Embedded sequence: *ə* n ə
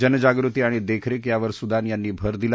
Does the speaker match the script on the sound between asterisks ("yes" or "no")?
yes